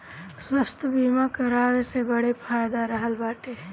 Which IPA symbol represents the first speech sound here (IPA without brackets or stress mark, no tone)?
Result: s